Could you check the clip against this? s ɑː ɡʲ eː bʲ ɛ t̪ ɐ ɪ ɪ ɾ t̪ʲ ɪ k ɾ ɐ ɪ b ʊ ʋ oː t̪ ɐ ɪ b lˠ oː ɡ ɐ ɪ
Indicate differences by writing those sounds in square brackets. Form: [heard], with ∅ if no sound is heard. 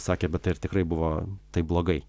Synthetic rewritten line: s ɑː [kʲ] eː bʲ ɛ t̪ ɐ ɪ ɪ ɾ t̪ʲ ɪ k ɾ ɐ ɪ b ʊ ʋ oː t̪ ɐ ɪ b lˠ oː ɡ ɐ ɪ